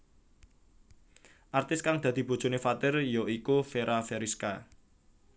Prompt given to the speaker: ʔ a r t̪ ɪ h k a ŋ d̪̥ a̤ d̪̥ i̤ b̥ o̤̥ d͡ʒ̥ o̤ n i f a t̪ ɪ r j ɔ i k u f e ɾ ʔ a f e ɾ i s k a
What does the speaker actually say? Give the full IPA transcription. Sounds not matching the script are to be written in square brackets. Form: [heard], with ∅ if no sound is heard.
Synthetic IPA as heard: ʔ a r t̪ ɪ [s] k a ŋ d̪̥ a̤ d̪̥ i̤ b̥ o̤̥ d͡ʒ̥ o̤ n [e] f a t̪ ɪ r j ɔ i k u f e ɾ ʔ a f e ɾ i s k a